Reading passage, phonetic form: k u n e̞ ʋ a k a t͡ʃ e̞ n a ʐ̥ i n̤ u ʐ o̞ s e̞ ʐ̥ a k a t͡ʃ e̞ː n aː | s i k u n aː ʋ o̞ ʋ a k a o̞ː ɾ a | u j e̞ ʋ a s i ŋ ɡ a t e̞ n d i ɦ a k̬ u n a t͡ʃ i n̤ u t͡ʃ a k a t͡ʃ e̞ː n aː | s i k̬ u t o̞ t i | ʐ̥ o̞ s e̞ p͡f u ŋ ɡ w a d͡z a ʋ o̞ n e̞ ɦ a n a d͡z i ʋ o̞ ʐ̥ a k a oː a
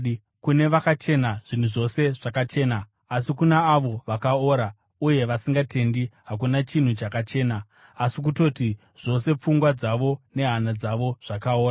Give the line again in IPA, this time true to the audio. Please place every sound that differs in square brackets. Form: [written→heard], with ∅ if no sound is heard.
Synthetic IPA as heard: k u n e̞ ʋ a k a t͡ʃ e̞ n a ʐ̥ i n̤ u ʐ o̞ s e̞ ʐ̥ a k a t͡ʃ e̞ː n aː | s i k u n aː ʋ o̞ ʋ a k a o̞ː ɾ a | u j e̞ ʋ a s i ŋ ɡ a t e̞ n d i ɦ a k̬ u n a t͡ʃ i n̤ u t͡ʃ a k a t͡ʃ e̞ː n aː | s i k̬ u t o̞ t i | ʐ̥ o̞ s e̞ p͡f u ŋ ɡ w a d͡z a ʋ o̞ n e̞ ɦ a n a d͡z [i→a] ʋ o̞ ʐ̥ a k a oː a